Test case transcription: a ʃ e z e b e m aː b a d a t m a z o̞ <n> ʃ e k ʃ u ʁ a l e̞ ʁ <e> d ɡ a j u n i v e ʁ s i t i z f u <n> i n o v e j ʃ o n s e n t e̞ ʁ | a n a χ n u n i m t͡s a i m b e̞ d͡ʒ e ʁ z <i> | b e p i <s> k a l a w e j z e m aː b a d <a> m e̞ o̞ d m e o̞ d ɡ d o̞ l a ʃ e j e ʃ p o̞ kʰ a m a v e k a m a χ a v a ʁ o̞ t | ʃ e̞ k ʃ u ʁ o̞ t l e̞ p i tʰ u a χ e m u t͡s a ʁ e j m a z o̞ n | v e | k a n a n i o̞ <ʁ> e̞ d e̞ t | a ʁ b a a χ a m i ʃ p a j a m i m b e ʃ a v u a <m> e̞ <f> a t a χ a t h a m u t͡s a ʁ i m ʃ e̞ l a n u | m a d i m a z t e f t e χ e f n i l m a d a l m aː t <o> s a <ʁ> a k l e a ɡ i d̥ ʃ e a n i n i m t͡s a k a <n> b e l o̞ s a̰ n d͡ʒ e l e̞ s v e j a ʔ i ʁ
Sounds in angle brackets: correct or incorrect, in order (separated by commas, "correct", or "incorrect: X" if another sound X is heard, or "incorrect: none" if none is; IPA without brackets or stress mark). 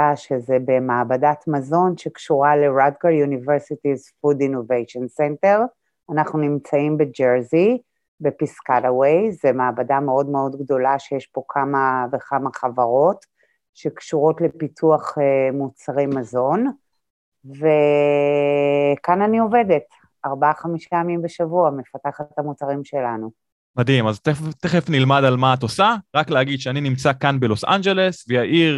correct, incorrect: a, incorrect: d, correct, correct, correct, incorrect: v, correct, correct, correct, correct, correct